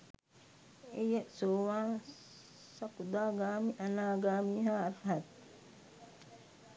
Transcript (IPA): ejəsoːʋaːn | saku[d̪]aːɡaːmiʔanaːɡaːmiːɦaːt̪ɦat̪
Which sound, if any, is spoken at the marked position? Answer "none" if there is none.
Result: d̪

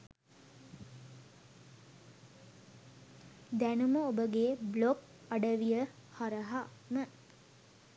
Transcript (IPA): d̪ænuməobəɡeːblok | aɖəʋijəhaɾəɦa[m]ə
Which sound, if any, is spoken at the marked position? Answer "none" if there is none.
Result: m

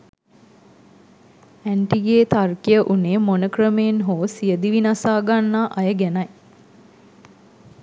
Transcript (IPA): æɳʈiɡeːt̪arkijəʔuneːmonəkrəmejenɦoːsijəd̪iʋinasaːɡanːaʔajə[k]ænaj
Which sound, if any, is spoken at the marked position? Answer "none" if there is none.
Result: ɡ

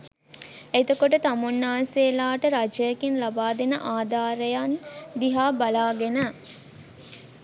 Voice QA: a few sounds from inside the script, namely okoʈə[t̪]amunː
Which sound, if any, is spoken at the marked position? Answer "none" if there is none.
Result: t̪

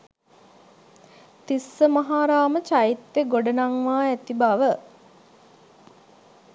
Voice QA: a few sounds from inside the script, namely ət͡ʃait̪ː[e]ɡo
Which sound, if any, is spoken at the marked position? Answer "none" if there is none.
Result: e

